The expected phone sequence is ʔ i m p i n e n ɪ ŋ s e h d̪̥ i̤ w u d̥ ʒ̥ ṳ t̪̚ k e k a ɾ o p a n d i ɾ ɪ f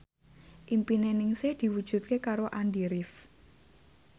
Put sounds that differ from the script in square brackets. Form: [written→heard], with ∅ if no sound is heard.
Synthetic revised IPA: ʔ i m p i n e n ɪ ŋ s e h d̪̥ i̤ w u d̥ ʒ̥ ṳ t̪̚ k e k a ɾ o [p→ʔ] a n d i ɾ ɪ f